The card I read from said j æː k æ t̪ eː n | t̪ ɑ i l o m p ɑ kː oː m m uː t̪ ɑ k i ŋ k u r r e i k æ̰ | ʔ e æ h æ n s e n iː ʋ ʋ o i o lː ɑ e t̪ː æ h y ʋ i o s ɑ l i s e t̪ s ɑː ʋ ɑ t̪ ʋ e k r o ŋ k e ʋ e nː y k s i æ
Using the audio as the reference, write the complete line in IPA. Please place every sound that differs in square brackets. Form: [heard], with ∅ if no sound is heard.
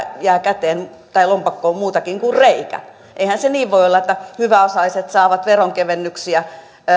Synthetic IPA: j æː k æ t̪ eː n | t̪ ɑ i l o m p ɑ kː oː m m uː t̪ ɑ k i ŋ k u r r e i k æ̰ | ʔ e [i] h æ n s e n iː ʋ ʋ o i o lː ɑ e t̪ː æ h y ʋ [æ] o s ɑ l i s e t̪ s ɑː ʋ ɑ t̪ ʋ e [∅] r o ŋ k e ʋ e nː y k s i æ